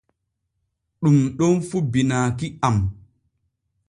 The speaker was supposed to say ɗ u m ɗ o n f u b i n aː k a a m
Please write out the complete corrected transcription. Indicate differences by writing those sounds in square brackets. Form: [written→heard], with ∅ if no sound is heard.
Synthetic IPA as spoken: ɗ u m ɗ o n f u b i n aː k [a→i] a m

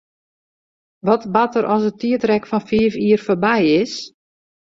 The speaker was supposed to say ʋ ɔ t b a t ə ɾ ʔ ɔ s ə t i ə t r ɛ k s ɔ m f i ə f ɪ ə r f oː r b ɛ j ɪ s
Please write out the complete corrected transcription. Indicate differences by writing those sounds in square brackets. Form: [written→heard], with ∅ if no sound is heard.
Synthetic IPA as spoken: ʋ ɔ t b a t ə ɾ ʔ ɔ s ə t i ə t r ɛ k [s→f] ɔ [m→n] f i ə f [ɪ→i] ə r f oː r b ɛ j ɪ s

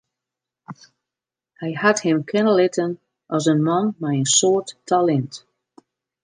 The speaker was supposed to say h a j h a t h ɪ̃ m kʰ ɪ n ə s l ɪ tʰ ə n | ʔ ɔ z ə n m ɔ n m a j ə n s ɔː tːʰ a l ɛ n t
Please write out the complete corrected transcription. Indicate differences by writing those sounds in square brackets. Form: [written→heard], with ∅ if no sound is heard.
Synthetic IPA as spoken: h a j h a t h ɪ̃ m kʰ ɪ n ə [s→∅] l ɪ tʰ ə n | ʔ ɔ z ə n m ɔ n m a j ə n s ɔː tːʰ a l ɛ n t

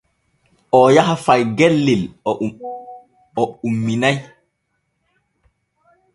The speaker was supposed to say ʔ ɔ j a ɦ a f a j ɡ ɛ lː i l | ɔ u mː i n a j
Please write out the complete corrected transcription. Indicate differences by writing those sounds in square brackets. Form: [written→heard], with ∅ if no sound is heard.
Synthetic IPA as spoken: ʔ ɔ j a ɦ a f a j ɡ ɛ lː i l | ɔ u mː i n a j

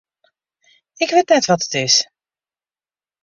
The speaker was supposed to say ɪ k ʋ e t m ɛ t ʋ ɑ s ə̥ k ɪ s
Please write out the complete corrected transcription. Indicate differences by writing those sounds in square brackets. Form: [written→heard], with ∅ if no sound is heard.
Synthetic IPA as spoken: ɪ k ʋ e t [m→n] ɛ t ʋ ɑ [s→t] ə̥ [k→t] ɪ s

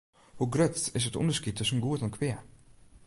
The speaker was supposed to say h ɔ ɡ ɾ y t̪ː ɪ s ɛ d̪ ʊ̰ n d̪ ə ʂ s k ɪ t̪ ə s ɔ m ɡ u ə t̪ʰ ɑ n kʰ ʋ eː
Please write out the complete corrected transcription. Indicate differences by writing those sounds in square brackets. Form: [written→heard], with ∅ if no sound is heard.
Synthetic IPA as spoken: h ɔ ɡ ɾ [y→œ] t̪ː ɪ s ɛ [d̪→t̪] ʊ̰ n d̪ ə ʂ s k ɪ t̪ ə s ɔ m ɡ [u→uː] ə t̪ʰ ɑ n kʰ ʋ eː

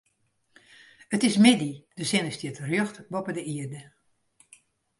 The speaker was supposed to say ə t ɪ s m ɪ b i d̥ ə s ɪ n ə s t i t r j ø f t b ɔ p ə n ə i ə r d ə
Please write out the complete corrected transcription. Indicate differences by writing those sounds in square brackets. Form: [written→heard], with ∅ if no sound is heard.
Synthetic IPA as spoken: ə t ɪ s m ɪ [b→d] i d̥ ə s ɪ n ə s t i t r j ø [f→x] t b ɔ p ə [n→d] ə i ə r d ə

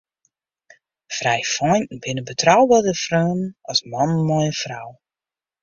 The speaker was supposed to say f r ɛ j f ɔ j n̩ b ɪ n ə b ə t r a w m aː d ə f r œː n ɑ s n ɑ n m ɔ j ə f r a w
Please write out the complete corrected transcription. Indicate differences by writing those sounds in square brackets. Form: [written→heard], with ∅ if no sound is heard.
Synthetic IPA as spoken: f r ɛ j f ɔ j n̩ b ɪ n ə b ə t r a w [m→b] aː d ə f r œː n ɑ s [n→m] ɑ n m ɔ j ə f r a w

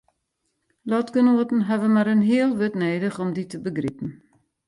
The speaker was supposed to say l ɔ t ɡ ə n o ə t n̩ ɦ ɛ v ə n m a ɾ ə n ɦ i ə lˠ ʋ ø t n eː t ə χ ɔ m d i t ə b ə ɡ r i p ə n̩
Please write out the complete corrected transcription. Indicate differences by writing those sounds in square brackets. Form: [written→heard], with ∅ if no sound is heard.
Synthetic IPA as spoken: l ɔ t ɡ ə n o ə t n̩ ɦ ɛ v ə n m a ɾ ə n ɦ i ə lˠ ʋ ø t n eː [t→d] ə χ ɔ m d i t ə b ə ɡ r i p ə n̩

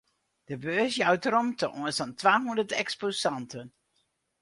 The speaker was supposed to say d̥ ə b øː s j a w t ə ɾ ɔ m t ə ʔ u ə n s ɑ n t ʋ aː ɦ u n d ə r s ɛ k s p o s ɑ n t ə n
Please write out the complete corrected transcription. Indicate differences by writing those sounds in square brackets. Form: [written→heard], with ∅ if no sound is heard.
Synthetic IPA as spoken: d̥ ə b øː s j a w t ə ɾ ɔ m t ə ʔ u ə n s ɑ n t ʋ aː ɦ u n d ə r [s→t] ɛ k s p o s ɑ n t ə n

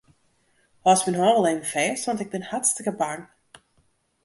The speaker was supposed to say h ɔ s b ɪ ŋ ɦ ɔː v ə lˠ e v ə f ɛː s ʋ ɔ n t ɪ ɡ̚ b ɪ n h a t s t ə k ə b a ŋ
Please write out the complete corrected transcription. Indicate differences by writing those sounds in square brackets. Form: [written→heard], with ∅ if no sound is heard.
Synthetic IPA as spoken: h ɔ s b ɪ [ŋ→n] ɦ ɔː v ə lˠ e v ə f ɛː s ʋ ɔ n t ɪ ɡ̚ b ɪ n h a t s t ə k ə b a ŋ

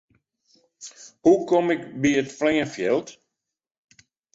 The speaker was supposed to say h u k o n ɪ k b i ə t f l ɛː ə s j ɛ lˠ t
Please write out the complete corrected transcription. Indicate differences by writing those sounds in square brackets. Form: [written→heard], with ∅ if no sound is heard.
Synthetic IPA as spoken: h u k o [n→m] ɪ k b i ə t f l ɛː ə [s→f] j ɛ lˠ t

